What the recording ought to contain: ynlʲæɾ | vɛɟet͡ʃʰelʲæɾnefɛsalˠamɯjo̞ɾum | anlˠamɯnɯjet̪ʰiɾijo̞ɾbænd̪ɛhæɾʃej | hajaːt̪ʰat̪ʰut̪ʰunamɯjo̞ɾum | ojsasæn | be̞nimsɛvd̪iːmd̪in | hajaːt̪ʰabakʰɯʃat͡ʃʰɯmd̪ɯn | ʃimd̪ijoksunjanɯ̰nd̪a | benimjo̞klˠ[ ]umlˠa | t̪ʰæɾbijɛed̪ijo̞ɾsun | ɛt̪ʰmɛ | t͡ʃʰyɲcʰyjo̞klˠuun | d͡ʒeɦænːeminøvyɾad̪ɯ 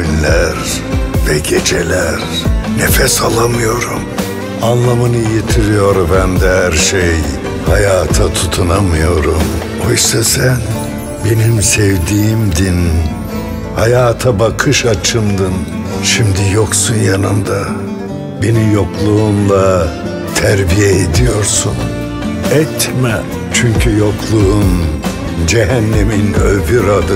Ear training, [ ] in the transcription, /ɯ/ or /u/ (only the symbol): u